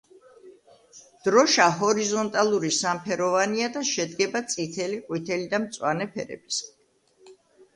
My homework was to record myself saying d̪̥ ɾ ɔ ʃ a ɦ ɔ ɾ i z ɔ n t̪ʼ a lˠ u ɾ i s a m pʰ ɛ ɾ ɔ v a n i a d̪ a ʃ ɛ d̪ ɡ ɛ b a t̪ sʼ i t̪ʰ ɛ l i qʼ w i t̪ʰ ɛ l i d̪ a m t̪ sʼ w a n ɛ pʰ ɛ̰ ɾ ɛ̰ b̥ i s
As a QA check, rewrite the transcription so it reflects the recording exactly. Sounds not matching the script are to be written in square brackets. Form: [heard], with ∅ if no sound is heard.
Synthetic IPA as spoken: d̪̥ ɾ ɔ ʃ a ɦ ɔ ɾ i z ɔ n t̪ʼ a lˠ u ɾ i s a m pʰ ɛ ɾ ɔ v a n i a d̪ a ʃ ɛ d̪ ɡ ɛ b a t̪ sʼ i t̪ʰ ɛ l i qʼ w i t̪ʰ ɛ l i d̪ a m t̪ sʼ w a n ɛ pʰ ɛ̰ ɾ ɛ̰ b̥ i s